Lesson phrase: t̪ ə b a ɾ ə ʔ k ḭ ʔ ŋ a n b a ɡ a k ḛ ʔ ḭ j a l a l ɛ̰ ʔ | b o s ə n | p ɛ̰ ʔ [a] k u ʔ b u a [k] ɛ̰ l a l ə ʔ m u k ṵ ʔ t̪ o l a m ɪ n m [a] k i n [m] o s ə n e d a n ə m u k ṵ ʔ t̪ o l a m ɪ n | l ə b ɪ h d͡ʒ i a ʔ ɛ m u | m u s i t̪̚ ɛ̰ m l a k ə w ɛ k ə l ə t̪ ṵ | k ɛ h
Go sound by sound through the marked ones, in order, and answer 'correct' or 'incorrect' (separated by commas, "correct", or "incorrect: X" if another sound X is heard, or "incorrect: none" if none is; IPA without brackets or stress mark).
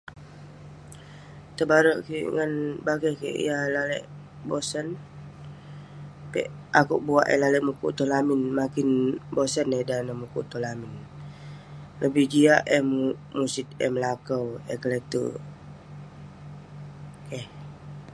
correct, incorrect: ʔ, correct, incorrect: b